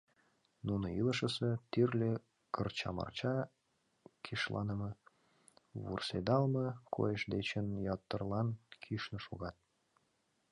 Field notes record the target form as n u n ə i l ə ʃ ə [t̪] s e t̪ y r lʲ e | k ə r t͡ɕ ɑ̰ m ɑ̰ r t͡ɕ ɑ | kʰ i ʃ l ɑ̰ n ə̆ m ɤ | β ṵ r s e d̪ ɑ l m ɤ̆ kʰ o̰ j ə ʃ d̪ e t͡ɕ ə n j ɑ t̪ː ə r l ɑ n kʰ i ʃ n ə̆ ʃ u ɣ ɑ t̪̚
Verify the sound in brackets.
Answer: incorrect: none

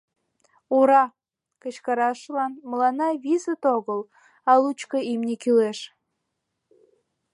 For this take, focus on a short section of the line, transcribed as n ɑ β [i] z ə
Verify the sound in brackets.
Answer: correct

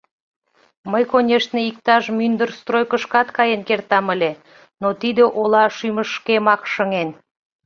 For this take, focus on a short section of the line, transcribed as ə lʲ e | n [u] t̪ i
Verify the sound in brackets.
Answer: incorrect: o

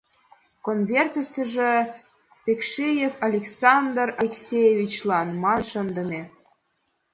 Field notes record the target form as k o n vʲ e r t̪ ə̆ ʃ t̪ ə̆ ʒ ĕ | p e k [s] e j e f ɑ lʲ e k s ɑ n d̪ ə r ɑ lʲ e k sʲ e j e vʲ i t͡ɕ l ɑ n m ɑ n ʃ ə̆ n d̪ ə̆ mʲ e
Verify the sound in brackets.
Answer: incorrect: ʃ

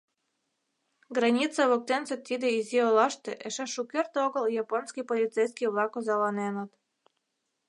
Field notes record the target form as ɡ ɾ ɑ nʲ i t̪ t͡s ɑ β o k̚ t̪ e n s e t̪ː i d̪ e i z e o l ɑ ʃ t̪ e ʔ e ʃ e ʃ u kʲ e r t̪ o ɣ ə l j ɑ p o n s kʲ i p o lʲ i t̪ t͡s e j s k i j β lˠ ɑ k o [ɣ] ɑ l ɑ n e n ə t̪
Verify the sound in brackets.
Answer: incorrect: z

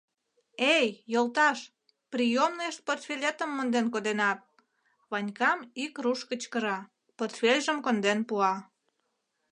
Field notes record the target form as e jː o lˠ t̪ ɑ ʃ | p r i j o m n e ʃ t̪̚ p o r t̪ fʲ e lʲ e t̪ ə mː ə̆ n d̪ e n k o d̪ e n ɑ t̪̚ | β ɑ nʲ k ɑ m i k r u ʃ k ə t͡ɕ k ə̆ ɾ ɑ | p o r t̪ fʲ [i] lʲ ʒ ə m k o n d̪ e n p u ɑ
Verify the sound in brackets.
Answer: incorrect: e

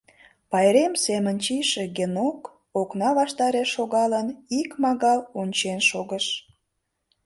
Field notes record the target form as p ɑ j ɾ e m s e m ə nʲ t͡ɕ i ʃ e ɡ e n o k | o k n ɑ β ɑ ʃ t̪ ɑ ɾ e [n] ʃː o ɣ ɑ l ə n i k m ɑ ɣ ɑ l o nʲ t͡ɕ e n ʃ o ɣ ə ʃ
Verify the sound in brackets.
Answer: incorrect: none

